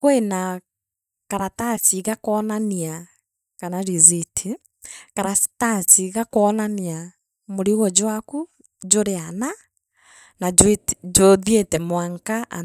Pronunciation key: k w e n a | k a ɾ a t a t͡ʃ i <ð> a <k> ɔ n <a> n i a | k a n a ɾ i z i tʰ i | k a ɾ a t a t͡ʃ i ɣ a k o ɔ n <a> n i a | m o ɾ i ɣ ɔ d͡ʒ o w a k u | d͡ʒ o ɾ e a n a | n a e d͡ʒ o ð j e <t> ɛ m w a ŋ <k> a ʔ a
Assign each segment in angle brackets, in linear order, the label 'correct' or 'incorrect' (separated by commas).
incorrect, correct, correct, correct, correct, correct